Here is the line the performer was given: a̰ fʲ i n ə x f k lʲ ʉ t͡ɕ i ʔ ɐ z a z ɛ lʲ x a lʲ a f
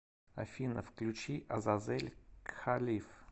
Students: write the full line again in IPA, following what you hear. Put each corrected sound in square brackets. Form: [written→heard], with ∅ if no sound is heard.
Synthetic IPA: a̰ fʲ i n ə [x→∅] f k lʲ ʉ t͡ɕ i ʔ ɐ z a z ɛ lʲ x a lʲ [a→i] f